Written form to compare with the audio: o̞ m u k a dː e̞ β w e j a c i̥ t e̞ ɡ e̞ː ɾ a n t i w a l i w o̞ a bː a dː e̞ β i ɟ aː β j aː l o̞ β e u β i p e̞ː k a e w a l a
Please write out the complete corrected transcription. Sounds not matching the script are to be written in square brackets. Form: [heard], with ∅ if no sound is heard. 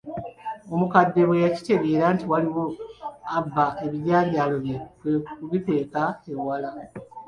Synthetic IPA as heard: o̞ m u k a dː e̞ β w e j a c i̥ t e̞ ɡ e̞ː ɾ a n t i w a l i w o̞ a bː a [∅] e̞ β i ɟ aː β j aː l o̞ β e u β i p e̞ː k a e w a l a

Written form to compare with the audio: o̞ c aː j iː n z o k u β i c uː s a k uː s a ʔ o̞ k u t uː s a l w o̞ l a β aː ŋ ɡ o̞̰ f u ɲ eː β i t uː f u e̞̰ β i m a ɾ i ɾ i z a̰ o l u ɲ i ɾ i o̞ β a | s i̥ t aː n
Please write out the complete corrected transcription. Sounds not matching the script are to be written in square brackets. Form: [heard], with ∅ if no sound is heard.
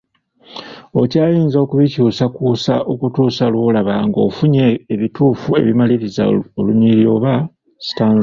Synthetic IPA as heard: o̞ c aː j iː n z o k u β i c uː s a k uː s a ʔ o̞ k u t uː s a l w o̞ l a β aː ŋ ɡ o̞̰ f u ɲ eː β i t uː f u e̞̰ β i m a [l] i ɾ i z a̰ o l u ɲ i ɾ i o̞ β a | s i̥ t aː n

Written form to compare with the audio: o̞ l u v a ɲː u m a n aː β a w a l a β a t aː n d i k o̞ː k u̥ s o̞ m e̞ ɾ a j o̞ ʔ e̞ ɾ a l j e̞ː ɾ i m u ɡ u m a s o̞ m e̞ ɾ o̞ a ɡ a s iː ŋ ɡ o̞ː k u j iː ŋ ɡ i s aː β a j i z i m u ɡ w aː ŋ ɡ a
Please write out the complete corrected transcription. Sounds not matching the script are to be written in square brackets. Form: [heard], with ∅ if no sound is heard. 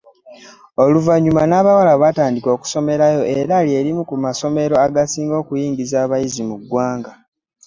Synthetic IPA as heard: o̞ l u v a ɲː u m a n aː β a w a l a β a t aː n d i k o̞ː k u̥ s o̞ m e̞ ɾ a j o̞ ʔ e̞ ɾ a l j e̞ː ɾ i m u [k] u m a s o̞ m e̞ ɾ o̞ a ɡ a s iː ŋ ɡ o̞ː k u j iː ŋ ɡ i [z] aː β a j i z i m u ɡ w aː ŋ ɡ a

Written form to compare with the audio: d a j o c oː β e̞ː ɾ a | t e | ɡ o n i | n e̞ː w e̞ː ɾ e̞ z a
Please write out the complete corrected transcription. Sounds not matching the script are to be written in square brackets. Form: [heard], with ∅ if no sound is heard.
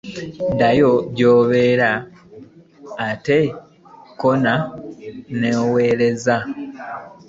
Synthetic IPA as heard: d a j o [ɟ] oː β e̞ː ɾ a | t e | [k] o n [a] | n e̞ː w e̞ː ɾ e̞ z a

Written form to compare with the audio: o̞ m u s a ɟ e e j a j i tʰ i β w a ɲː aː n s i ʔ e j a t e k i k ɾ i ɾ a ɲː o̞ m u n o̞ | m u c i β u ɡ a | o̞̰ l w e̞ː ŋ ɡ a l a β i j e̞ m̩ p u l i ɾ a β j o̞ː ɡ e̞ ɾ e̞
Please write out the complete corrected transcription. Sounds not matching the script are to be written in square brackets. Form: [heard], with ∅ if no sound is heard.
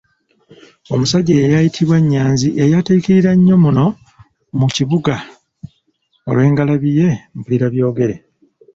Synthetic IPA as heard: o̞ m u s a ɟ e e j a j i tʰ i β w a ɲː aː n [z] i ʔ e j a t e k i [∅] ɾ i ɾ a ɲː o̞ m u n o̞ | m u c i β u ɡ a | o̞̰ l w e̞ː ŋ ɡ a l a β i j e̞ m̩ p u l i ɾ a β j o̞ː ɡ e̞ ɾ e̞

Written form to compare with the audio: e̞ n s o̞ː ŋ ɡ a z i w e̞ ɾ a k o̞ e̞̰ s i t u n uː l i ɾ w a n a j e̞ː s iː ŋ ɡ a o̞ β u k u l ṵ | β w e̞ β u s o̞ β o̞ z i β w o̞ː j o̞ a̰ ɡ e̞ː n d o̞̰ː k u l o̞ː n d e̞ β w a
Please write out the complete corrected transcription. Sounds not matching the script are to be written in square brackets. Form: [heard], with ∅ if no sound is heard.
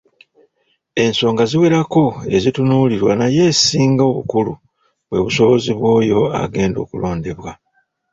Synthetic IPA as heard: e̞ n s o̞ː ŋ ɡ a z i w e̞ ɾ a k o̞ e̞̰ [z] i t u n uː l i ɾ w a n a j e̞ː s iː ŋ ɡ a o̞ β u k u l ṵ | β w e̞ β u s o̞ β o̞ z i β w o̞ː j o̞ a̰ ɡ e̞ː n d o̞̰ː k u l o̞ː n d e̞ β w a

